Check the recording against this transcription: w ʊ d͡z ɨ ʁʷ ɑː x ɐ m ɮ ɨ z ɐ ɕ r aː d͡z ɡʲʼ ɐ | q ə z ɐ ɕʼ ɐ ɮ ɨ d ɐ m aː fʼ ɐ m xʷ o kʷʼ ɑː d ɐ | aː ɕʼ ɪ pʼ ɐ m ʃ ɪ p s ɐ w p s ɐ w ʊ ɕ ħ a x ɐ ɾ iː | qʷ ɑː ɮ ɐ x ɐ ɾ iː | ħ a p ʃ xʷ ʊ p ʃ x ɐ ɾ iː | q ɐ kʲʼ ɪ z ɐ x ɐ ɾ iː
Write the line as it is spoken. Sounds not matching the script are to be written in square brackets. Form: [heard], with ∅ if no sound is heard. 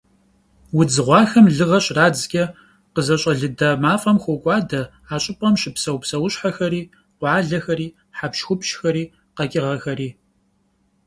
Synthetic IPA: w ʊ d͡z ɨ ʁʷ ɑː x ɐ m ɮ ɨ [ʁ] ɐ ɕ r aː d͡z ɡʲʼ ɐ | q ə z ɐ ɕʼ ɐ ɮ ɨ d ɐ m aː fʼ ɐ m xʷ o kʷʼ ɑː d ɐ | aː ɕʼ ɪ pʼ ɐ m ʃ ɪ p s ɐ w p s ɐ w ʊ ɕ ħ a x ɐ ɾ iː | qʷ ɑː ɮ ɐ x ɐ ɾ iː | ħ a p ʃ xʷ ʊ p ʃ x ɐ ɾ iː | q ɐ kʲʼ ɪ [ʁ] ɐ x ɐ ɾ iː